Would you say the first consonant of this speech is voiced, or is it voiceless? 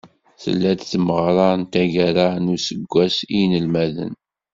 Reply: voiceless